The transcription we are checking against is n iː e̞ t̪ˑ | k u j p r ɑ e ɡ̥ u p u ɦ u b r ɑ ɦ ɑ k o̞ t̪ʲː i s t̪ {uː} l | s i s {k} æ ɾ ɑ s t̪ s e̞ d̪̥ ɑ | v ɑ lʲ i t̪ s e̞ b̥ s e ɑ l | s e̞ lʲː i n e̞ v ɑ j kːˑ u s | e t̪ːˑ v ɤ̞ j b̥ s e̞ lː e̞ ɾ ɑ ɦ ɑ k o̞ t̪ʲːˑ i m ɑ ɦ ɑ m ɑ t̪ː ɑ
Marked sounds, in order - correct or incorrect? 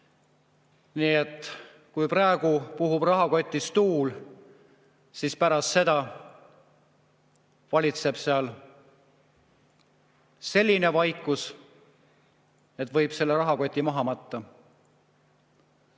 correct, incorrect: p

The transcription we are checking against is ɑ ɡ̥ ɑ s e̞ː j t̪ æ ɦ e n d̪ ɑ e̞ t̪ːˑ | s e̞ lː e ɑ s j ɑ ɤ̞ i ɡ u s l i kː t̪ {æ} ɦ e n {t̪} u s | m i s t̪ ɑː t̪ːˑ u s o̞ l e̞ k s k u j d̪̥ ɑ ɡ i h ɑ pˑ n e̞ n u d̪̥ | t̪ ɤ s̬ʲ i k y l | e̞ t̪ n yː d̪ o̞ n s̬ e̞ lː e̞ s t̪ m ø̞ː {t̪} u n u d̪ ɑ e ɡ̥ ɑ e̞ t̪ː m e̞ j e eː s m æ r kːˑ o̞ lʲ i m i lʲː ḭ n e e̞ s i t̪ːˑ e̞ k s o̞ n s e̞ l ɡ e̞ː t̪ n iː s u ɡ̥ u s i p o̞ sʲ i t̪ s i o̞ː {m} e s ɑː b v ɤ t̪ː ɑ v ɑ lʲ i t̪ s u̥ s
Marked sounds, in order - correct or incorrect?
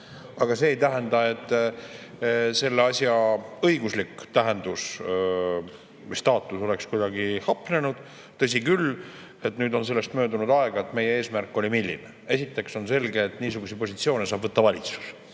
correct, incorrect: d̪, incorrect: d̪, incorrect: n

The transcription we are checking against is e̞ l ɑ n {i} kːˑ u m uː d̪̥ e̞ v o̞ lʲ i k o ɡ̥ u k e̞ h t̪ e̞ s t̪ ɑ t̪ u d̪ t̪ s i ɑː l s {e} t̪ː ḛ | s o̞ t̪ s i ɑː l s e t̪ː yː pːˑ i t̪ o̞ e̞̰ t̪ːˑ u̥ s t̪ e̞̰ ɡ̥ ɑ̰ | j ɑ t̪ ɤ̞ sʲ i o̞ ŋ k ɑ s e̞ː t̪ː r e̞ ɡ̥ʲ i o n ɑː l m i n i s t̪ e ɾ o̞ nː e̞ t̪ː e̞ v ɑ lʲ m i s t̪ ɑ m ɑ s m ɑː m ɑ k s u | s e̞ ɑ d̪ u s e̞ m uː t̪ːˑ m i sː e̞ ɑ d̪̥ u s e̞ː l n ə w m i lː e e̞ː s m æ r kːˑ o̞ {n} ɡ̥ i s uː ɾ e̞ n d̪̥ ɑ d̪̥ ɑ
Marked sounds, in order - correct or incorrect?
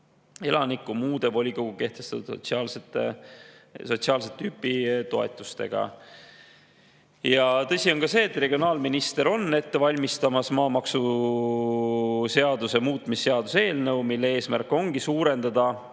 correct, correct, incorrect: ŋ

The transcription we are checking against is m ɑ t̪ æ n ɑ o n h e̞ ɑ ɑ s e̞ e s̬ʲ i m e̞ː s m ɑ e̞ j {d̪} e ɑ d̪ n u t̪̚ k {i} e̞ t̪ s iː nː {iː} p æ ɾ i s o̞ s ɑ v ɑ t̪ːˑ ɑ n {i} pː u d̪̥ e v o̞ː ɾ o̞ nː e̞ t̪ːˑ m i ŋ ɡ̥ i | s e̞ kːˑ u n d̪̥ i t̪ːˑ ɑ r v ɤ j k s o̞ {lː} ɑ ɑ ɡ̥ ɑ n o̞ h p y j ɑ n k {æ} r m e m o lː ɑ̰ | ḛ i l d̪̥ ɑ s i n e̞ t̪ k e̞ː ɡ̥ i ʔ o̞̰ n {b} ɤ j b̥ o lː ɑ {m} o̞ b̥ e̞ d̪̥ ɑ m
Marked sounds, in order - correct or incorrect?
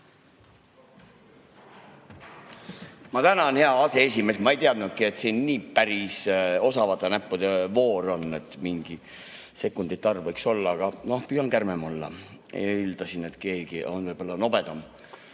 incorrect: t̪, correct, correct, incorrect: æ, correct, correct, incorrect: v, incorrect: n

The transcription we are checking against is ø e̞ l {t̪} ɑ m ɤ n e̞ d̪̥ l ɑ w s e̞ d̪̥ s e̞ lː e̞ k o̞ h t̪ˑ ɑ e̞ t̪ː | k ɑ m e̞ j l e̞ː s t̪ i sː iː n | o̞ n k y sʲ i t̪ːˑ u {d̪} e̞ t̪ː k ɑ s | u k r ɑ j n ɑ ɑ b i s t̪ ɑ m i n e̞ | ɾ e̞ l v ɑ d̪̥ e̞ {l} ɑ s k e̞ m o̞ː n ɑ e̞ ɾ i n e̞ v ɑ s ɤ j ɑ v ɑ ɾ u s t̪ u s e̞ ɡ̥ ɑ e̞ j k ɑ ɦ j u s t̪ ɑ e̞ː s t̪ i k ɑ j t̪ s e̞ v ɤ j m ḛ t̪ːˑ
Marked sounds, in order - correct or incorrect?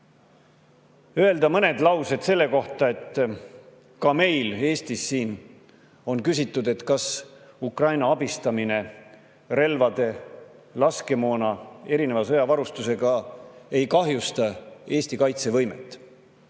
incorrect: d̪, correct, correct

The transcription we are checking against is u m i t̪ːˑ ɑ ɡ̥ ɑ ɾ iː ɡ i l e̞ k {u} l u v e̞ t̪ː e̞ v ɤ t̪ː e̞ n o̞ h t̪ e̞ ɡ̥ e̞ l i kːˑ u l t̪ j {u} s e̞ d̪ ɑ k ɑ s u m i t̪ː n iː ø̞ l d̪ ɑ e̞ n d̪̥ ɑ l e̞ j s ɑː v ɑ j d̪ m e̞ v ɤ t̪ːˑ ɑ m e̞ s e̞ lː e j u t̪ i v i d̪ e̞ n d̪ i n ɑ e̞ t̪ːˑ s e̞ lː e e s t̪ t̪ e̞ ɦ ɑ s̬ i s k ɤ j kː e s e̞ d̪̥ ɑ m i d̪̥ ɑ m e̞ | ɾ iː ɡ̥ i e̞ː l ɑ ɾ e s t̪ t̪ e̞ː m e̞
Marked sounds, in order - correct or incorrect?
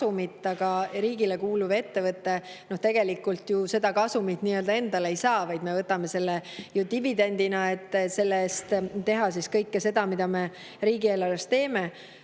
incorrect: uː, correct

